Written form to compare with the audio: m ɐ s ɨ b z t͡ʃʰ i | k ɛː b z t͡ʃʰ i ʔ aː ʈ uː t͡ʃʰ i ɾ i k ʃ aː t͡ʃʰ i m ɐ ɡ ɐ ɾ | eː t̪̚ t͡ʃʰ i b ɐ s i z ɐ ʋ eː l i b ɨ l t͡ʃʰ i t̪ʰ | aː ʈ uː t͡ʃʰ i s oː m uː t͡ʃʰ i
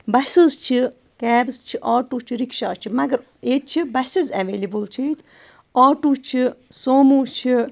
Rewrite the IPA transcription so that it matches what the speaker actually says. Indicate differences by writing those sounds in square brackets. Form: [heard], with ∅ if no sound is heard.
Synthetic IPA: [b] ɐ s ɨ [∅] z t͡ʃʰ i | k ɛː b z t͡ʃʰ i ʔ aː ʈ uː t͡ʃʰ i ɾ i k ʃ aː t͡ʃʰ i m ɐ ɡ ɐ ɾ | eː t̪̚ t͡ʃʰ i b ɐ s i z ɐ ʋ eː l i b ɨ l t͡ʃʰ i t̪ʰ | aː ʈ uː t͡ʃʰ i s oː m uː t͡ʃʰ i